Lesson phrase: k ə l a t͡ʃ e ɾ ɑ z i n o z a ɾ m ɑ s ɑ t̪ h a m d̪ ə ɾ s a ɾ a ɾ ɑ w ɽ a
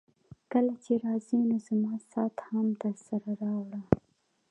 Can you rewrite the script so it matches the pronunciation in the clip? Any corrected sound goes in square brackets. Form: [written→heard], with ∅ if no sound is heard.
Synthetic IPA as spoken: k ə l a t͡ʃ e ɾ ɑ z i n o z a [ɾ→∅] m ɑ s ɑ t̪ h a m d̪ ə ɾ s a ɾ a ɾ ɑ w ɽ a